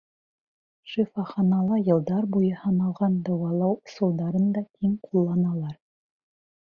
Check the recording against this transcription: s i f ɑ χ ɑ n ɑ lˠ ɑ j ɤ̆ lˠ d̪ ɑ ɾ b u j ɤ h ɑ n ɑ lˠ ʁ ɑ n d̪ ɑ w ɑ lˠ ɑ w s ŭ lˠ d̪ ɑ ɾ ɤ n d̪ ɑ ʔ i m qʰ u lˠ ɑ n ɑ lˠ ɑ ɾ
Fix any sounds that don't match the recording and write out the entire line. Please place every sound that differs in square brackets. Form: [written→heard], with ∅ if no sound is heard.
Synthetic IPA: [s→ʃ] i f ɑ χ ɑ n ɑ lˠ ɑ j ɤ̆ lˠ d̪ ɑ ɾ b u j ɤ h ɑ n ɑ lˠ ʁ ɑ n d̪ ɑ w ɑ lˠ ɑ w s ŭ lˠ d̪ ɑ ɾ ɤ n d̪ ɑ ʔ i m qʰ u [lˠ→lˠː] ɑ n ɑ lˠ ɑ ɾ